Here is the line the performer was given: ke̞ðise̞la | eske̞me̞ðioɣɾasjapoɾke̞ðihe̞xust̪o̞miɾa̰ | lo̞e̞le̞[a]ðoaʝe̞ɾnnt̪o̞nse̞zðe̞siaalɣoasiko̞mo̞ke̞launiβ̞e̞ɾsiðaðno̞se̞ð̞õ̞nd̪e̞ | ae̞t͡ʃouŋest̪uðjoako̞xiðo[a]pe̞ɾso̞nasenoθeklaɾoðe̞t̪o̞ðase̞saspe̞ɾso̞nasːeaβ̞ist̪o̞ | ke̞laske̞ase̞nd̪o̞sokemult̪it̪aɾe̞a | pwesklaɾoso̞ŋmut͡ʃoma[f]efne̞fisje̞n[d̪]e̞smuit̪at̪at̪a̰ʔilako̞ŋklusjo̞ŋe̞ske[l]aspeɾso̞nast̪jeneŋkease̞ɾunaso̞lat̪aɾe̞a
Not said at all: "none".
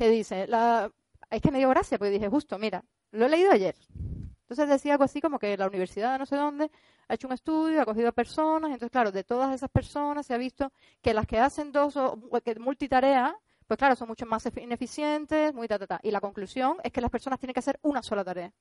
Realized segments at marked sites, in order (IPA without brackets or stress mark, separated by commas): i, a, s, t̪, l